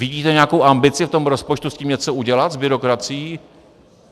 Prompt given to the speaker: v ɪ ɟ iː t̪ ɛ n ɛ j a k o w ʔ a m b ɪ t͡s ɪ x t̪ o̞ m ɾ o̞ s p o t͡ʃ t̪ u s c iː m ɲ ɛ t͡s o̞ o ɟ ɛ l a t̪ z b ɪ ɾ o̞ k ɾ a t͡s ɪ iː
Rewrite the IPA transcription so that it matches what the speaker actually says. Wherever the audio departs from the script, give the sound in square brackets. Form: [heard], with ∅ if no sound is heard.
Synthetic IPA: v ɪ ɟ iː t̪ ɛ [ɲ] ɛ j a k o w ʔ a m b ɪ t͡s ɪ [f] t̪ o̞ m ɾ o̞ s p o t͡ʃ t̪ u s c iː m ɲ ɛ t͡s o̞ [u] ɟ ɛ l a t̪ z b ɪ ɾ o̞ k ɾ a t͡s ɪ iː